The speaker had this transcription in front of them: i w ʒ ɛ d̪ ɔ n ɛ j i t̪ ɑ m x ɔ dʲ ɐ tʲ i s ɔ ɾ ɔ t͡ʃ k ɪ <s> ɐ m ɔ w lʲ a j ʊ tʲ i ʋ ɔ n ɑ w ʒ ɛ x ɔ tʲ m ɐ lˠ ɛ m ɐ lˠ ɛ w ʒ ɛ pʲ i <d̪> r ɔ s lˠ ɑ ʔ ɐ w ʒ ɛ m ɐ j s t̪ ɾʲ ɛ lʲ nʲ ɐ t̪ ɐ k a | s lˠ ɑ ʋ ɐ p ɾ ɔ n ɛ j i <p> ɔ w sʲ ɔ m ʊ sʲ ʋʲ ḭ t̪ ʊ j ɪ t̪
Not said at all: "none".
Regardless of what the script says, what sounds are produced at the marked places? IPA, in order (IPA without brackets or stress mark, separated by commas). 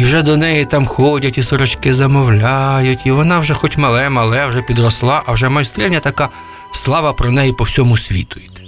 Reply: z, d̪, p